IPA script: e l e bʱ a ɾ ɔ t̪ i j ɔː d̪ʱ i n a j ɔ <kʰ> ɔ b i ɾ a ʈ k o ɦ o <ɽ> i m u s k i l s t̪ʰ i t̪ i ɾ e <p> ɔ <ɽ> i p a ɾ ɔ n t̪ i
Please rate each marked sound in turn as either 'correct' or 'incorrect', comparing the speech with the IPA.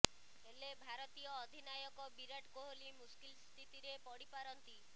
incorrect: k, incorrect: l, correct, correct

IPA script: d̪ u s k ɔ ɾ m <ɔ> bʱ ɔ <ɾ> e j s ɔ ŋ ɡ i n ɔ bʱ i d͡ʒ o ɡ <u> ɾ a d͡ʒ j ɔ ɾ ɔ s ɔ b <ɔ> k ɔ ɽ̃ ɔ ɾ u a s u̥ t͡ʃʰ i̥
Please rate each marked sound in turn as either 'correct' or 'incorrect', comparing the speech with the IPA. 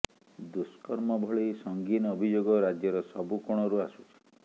correct, incorrect: ɭ, incorrect: ɔ, incorrect: u

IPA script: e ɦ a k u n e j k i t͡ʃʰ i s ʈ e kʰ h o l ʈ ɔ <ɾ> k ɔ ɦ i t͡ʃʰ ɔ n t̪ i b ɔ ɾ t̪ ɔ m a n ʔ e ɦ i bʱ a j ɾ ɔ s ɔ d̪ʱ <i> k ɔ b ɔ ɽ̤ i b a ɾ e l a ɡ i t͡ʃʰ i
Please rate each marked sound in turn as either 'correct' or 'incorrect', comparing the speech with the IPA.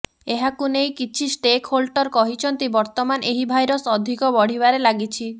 correct, correct

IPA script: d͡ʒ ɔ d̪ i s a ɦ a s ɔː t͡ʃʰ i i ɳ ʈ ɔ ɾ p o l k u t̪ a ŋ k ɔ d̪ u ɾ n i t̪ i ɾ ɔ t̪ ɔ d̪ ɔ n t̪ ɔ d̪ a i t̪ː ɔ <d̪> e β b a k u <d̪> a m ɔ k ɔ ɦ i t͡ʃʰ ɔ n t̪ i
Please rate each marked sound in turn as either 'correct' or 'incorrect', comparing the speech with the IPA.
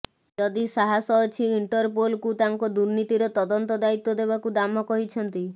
correct, correct

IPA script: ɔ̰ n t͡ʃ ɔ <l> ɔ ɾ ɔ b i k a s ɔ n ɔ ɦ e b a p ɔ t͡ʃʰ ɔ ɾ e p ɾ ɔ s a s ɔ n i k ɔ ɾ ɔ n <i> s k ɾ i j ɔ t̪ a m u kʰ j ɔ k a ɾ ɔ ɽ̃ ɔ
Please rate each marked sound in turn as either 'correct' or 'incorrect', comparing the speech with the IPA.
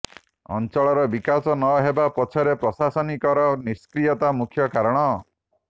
incorrect: ɭ, correct

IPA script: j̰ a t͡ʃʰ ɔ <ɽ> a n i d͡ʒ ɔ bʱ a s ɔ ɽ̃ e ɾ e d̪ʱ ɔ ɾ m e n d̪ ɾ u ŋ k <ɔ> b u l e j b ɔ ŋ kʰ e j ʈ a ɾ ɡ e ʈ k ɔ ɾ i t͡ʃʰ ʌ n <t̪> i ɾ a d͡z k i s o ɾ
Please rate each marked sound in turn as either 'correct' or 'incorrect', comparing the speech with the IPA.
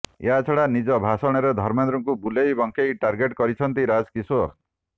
correct, incorrect: u, correct

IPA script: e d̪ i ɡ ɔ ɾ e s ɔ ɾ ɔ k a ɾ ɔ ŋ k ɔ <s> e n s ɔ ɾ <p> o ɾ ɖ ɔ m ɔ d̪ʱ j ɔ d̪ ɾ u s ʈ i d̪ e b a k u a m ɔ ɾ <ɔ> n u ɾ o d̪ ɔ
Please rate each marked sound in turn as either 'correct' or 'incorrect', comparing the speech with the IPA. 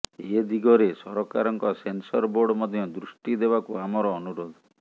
correct, incorrect: b, incorrect: ɔː

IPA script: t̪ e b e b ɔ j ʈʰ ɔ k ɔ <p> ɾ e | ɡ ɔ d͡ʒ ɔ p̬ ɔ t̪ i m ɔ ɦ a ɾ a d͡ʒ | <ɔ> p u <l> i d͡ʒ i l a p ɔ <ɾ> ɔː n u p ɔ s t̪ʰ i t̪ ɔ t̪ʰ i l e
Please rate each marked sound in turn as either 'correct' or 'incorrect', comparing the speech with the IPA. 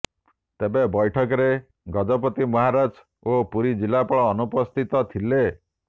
incorrect: none, incorrect: o, incorrect: ɾ, incorrect: ɭ

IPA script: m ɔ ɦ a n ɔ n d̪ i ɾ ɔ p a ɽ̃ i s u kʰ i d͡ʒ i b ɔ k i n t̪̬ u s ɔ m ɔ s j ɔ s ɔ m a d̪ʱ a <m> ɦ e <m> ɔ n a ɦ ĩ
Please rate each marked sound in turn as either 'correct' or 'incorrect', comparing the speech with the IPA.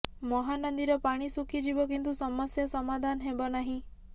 incorrect: n, incorrect: b

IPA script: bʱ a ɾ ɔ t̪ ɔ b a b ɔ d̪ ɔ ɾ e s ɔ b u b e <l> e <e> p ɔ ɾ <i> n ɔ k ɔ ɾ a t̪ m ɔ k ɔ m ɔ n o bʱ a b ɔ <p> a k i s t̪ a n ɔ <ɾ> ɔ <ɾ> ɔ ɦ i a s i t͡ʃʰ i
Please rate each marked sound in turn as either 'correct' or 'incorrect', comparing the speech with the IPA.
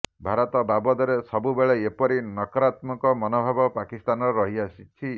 incorrect: ɭ, correct, correct, correct, correct, correct

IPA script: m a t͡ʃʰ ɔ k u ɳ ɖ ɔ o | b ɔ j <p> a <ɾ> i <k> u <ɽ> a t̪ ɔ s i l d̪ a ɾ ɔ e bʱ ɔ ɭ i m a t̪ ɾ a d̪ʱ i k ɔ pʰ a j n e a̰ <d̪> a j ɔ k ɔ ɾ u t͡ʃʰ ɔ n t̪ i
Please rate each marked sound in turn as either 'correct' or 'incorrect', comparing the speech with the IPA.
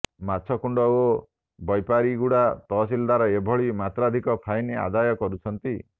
correct, correct, incorrect: ɡ, correct, correct

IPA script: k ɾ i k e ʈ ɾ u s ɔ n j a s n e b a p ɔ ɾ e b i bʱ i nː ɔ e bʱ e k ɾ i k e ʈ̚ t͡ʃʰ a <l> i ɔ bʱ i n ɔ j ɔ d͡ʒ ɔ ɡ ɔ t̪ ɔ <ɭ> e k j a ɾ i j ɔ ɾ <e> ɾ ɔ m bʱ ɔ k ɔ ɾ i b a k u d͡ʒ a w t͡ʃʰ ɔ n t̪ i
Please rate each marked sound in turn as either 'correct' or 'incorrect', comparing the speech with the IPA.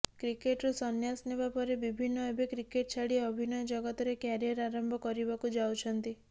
incorrect: ɽ, incorrect: ɾ, incorrect: a

